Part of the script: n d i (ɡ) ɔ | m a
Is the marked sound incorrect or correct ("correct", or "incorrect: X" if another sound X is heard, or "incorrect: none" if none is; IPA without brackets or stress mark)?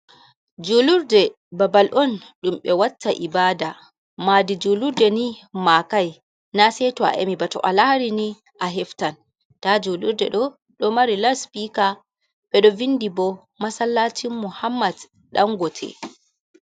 incorrect: b